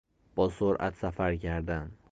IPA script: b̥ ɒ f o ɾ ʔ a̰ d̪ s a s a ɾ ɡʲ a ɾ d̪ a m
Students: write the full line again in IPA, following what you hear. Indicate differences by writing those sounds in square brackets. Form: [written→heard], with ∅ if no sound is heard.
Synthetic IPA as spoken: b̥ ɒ [f→s] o ɾ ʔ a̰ [d̪→t̪] s a [s→f] a ɾ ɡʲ a ɾ d̪ a [m→n]

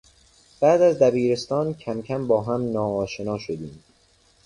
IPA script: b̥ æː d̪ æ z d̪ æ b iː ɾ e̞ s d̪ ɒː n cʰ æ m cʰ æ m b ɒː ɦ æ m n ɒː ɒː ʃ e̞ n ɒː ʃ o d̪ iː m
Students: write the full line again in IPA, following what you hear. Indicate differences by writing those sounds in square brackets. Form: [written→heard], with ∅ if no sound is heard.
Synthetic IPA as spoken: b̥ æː d̪ æ z d̪ æ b iː ɾ e̞ s [d̪→t̪] ɒː n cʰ æ m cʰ æ m b ɒː ɦ æ m n ɒː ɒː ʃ e̞ n ɒː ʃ o d̪ iː m

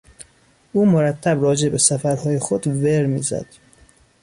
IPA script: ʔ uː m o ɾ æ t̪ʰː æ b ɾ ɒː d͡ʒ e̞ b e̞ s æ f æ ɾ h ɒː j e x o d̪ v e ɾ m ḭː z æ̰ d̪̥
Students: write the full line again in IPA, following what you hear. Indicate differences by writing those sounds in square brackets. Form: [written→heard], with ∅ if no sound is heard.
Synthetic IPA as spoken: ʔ uː m o ɾ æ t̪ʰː æ b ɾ ɒː d͡ʒ e̞ b e̞ s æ f æ ɾ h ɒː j e x o d̪ v e ɾ m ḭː z æ̰ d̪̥

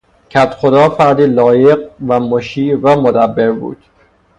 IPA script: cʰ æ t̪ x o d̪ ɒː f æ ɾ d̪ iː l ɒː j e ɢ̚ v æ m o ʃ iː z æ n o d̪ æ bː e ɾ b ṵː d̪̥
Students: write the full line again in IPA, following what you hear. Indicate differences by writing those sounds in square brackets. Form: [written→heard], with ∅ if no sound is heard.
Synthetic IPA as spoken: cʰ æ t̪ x o d̪ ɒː f æ ɾ d̪ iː l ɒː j e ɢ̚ v æ m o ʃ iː [z→v] æ [n→m] o d̪ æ bː e ɾ b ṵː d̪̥

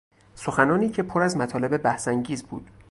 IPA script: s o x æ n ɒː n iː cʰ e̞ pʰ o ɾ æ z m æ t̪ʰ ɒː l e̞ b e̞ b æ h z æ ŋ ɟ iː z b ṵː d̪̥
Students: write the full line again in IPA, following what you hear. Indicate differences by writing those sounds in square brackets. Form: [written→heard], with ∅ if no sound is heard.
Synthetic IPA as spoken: s o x æ n ɒː n iː cʰ e̞ pʰ o ɾ æ z m æ t̪ʰ ɒː l e̞ b e̞ b æ h [z→s] æ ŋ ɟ iː z b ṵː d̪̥

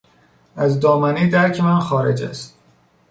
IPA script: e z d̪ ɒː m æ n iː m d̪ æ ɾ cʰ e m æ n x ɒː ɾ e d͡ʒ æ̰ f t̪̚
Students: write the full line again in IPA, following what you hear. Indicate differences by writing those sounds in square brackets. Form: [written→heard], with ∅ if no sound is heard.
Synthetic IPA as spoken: [e→æ] z d̪ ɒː m æ n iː [m→∅] d̪ æ ɾ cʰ e m æ n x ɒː ɾ e d͡ʒ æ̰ [f→s] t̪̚

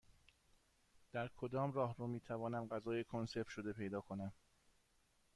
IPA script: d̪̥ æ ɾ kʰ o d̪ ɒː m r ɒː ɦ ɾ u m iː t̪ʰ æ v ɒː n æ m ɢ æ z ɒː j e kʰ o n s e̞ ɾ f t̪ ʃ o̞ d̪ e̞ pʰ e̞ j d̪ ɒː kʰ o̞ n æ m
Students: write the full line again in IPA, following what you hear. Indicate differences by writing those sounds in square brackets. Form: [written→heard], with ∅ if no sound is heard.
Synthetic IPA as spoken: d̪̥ æ ɾ kʰ o d̪ ɒː m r ɒː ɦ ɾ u m iː t̪ʰ æ v ɒː n æ m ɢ æ z ɒː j e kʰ o n s e̞ ɾ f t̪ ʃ o̞ d̪ e̞ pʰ e̞ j d̪ ɒː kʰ o̞ n æ m

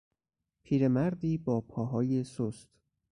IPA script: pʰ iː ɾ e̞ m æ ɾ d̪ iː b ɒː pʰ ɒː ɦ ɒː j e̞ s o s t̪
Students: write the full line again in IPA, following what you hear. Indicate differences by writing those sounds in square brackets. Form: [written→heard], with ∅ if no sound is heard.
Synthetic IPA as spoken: pʰ iː ɾ e̞ m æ ɾ d̪ iː b ɒː pʰ ɒː ɦ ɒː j e̞ s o s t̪

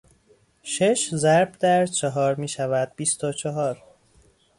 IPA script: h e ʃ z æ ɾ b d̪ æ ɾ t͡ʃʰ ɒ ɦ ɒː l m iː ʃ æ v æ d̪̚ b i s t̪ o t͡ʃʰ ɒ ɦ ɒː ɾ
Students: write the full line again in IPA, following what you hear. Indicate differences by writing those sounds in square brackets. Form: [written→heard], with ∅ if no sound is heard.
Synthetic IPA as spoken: [h→ʃ] e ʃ z æ ɾ b d̪ æ ɾ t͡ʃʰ ɒ ɦ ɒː [l→ɾ] m iː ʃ æ v æ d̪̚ b i s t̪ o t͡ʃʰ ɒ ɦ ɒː ɾ

